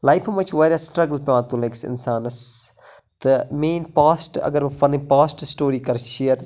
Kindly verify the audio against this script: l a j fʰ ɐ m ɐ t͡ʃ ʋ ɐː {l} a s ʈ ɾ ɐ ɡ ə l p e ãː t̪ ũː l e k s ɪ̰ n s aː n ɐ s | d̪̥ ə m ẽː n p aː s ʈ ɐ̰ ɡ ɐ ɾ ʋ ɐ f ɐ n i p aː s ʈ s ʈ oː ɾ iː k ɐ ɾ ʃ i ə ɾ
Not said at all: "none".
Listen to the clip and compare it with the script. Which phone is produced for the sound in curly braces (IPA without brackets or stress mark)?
ɾ